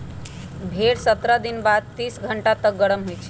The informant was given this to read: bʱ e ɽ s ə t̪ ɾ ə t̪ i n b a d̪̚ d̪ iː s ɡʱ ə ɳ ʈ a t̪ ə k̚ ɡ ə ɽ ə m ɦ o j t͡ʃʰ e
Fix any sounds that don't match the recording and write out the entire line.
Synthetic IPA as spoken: bʱ e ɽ s ə t̪ ɾ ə d̪ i n b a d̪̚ t̪ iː s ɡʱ ə ɳ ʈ a t̪ ə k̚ ɡ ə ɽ ə m ɦ o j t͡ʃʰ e